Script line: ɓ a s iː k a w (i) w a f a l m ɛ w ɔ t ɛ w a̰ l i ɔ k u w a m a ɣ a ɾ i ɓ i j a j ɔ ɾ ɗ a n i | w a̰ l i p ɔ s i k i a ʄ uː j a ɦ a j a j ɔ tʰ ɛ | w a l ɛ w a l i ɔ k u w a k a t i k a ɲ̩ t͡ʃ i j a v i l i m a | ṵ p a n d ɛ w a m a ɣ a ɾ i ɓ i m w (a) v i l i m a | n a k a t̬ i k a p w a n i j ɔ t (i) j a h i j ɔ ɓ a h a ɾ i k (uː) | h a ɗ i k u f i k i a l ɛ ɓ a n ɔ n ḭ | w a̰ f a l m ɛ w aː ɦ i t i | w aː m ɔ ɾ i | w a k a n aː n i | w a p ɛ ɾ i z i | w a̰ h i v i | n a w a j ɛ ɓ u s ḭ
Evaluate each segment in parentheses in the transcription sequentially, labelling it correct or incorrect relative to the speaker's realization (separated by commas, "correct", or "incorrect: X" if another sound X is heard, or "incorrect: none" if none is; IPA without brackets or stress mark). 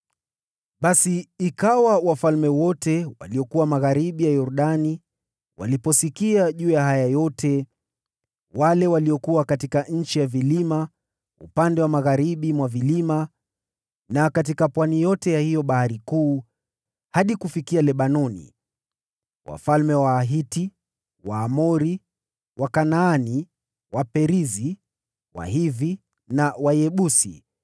incorrect: a, correct, incorrect: ɛ, correct